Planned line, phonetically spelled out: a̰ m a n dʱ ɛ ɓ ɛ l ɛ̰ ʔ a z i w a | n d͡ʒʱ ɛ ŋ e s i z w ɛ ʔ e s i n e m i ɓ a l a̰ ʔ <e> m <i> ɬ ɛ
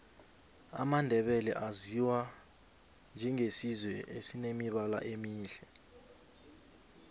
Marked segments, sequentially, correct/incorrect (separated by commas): correct, incorrect